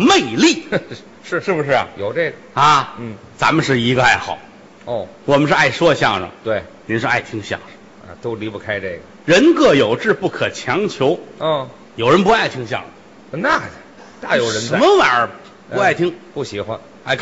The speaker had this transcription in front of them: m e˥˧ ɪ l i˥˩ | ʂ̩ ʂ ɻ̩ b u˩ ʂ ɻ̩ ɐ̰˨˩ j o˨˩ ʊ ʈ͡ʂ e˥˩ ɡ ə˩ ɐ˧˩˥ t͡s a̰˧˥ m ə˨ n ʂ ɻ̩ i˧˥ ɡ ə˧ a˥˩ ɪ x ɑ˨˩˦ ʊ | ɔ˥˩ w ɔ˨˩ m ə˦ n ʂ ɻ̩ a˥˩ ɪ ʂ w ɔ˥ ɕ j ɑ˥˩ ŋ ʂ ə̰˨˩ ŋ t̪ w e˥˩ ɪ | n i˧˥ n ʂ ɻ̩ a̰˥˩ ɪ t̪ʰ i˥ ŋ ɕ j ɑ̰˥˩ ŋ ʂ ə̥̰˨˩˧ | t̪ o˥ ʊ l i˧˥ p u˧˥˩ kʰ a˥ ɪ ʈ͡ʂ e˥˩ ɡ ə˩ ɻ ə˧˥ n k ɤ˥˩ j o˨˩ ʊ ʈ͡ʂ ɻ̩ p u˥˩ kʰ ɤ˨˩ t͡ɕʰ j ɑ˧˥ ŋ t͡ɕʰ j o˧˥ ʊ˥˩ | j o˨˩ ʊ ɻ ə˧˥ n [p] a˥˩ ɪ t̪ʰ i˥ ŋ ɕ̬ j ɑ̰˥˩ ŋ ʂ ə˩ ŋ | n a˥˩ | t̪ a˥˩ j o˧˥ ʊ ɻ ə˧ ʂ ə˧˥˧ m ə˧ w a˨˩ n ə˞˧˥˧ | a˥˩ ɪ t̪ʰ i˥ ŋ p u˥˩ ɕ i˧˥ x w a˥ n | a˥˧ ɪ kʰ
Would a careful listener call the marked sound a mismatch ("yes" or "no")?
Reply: no